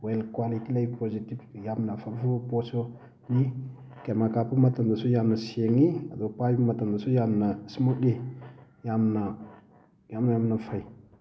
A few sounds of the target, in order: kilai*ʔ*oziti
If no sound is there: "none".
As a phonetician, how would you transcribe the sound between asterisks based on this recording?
p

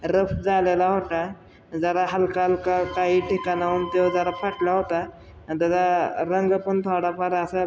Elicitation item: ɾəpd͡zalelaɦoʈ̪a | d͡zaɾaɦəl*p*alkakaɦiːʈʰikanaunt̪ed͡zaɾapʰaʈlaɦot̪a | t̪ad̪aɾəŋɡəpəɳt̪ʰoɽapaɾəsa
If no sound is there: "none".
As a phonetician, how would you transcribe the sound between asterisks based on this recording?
k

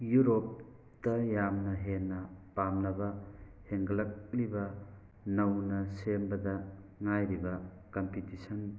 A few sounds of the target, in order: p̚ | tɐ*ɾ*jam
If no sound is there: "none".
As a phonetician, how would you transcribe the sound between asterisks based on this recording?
none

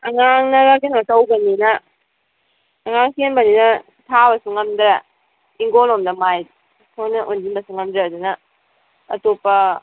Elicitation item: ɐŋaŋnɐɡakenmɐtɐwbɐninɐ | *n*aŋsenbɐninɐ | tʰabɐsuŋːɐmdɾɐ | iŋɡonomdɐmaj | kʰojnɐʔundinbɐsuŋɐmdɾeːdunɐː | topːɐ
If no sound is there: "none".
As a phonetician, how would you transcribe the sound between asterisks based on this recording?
ŋ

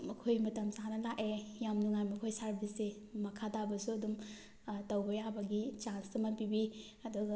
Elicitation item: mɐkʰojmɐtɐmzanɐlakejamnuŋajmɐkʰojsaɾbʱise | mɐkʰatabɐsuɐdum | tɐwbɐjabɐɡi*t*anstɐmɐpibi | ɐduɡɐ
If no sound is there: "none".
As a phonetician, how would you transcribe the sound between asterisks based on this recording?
t͡ʃ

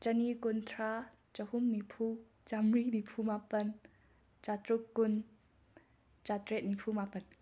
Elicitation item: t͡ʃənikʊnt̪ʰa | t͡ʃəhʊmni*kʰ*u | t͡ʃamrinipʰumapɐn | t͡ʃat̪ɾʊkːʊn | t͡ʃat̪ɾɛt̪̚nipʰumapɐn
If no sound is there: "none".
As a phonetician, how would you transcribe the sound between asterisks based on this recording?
pʰ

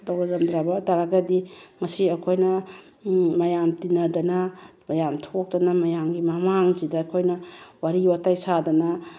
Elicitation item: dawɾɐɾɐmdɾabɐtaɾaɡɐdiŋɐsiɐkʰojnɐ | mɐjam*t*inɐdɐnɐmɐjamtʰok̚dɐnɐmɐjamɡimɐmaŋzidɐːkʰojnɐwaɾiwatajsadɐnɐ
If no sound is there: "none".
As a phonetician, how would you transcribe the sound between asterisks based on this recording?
t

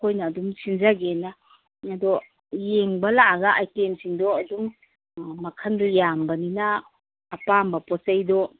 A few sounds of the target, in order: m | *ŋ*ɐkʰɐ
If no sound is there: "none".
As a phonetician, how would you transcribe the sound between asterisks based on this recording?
m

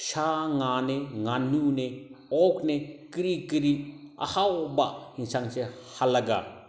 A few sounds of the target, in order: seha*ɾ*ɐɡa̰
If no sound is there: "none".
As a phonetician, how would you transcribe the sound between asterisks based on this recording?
l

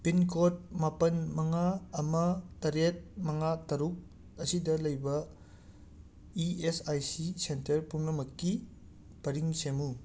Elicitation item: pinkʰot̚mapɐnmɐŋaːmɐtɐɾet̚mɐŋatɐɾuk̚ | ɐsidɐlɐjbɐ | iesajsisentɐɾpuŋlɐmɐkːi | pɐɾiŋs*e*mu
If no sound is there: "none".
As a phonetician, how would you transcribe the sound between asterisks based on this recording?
e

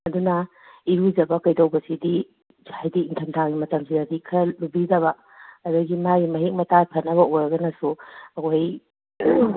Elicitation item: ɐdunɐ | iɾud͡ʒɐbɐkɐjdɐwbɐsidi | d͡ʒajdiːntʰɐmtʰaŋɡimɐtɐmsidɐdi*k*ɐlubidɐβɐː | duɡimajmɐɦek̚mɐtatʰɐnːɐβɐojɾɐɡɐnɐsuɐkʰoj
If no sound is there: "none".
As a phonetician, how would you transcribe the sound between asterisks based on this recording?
kʰ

